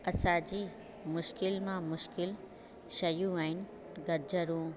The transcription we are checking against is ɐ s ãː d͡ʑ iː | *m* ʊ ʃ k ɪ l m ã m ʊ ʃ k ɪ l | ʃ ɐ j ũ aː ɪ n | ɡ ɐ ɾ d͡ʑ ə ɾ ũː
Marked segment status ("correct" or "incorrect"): correct